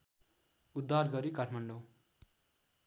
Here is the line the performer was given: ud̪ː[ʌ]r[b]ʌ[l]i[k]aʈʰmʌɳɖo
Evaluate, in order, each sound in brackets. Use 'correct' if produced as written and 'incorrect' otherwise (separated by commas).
incorrect, incorrect, incorrect, correct